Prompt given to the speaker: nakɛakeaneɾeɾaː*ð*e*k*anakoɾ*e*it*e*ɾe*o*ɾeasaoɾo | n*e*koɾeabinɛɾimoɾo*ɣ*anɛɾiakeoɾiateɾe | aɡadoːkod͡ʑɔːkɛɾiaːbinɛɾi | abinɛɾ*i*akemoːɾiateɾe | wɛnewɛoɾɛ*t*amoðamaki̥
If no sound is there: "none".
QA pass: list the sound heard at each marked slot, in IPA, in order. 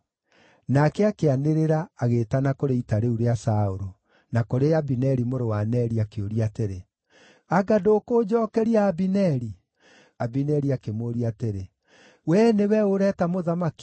ɣ, t, e, a, u, a, w, i, t

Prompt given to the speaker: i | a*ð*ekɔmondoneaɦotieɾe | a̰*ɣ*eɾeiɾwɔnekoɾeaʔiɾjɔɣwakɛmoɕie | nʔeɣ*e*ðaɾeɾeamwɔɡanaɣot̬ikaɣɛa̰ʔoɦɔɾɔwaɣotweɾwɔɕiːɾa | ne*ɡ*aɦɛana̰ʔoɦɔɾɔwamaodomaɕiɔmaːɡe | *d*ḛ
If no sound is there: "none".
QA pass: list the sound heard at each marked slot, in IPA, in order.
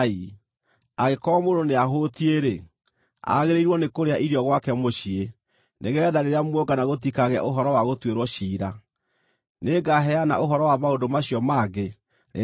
ɣ, ɣ, ɛ, ɡ, n

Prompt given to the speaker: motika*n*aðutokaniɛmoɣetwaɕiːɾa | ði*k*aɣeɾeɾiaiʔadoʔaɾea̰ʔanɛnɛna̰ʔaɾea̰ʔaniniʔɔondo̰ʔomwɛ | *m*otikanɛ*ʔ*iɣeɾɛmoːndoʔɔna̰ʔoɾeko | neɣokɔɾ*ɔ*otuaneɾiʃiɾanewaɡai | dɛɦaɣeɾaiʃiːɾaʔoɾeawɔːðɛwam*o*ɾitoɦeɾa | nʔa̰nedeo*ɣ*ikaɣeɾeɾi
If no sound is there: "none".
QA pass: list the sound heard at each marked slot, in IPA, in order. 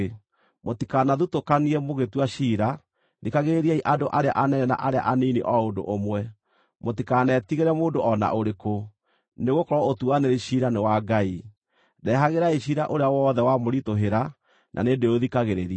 n, k, m, t, ɔ, o, ð

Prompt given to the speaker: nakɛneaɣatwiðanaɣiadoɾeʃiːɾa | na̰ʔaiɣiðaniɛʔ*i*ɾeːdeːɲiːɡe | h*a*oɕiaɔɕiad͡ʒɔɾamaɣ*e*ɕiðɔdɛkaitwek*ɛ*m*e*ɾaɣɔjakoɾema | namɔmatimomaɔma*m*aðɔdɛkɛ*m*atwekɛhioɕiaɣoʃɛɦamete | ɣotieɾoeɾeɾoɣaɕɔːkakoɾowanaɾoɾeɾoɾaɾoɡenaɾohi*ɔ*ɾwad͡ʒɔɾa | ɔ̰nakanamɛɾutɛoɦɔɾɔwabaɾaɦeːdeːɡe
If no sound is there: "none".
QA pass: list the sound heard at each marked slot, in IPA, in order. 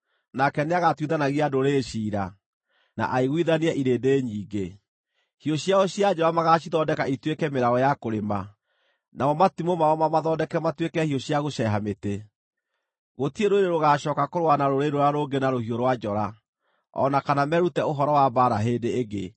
i, i, a, ɛ, e, m, m, o

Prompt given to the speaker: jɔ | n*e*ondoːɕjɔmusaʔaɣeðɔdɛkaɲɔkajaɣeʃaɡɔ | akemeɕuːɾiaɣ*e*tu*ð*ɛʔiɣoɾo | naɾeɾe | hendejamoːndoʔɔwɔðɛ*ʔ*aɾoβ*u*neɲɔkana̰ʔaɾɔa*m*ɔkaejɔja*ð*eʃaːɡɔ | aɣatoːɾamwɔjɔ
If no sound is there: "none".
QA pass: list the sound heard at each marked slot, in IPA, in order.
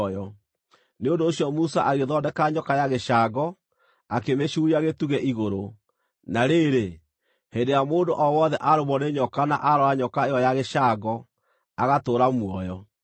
e, e, ɣ, ʔ, ɔ, ɲ, ɣ

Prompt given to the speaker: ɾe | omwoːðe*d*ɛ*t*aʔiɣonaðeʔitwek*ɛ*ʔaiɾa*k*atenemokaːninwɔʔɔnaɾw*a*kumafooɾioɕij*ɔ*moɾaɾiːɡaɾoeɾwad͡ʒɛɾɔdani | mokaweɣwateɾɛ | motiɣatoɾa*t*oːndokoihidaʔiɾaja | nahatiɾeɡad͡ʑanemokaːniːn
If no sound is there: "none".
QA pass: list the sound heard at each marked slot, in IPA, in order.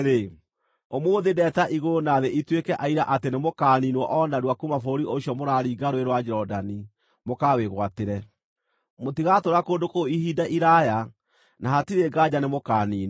d, t, ɛ, ʔ, a, ɔ, k

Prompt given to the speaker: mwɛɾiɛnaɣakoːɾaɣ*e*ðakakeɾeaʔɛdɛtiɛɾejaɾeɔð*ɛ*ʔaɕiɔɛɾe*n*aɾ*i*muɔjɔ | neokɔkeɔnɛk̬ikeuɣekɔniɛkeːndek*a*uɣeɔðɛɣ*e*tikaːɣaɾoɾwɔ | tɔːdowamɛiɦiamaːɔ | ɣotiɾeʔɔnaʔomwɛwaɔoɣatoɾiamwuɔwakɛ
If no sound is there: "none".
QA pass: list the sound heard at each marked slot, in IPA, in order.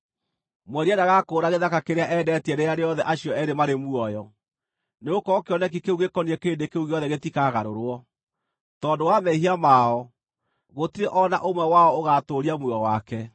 e, ɛ, m, e, e, e

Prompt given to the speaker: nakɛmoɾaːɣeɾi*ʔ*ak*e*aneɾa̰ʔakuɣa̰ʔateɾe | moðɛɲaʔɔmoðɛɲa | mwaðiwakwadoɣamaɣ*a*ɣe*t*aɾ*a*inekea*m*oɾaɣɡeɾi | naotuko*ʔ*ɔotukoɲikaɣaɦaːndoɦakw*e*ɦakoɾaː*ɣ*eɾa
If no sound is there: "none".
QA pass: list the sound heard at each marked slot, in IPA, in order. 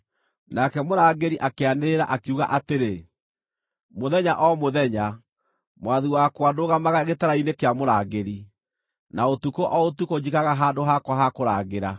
ʔ, e, a, t, a, m, ʔ, a, ɣ

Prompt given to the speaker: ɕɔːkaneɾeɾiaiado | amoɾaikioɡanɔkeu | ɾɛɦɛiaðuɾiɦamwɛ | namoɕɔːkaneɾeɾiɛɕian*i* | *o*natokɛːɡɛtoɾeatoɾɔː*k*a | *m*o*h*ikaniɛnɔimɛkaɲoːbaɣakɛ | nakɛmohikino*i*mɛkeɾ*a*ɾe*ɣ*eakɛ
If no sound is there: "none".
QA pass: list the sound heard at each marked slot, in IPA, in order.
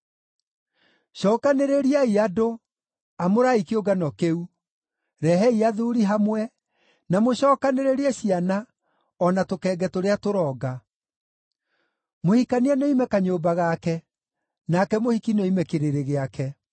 a, ɔ, ɡ, m, h, i, e, ɣ

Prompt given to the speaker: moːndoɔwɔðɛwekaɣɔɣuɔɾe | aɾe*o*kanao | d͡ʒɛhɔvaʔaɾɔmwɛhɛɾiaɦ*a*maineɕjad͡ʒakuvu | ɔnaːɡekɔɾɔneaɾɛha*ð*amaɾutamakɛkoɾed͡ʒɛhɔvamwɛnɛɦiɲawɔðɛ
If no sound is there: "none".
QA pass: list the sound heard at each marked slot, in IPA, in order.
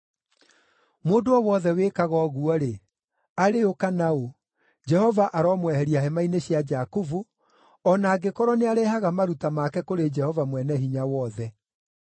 o, ɛ, ɣ

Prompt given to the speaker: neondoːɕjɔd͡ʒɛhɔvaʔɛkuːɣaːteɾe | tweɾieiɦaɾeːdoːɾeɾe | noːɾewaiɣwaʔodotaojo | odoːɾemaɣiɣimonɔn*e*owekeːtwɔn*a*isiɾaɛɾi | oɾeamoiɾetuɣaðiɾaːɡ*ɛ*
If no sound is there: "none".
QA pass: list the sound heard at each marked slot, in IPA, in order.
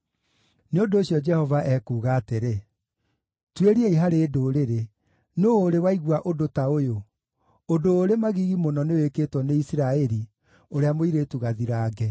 e, e, ɛ

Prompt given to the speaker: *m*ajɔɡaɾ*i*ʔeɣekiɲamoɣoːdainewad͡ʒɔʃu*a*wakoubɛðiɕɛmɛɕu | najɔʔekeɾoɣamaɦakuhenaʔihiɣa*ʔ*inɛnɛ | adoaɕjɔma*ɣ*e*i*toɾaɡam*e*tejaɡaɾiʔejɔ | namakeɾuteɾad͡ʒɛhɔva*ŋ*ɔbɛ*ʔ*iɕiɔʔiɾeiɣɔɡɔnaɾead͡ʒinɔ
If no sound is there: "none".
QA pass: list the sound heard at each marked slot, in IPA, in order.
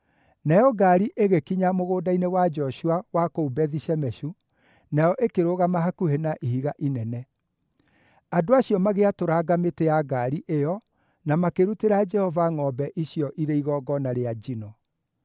n, i, a, ʔ, ɣ, a, e, ŋ, ʔ

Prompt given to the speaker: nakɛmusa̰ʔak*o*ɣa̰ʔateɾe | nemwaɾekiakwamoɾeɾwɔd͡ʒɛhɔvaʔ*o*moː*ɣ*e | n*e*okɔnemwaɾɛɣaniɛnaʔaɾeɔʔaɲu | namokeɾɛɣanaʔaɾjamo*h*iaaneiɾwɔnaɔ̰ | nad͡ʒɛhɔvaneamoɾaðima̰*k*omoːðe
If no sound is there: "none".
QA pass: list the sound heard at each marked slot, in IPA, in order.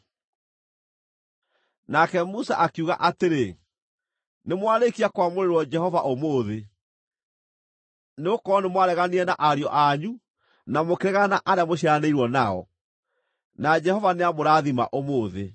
u, o, ð, e, ɕ, ʔ

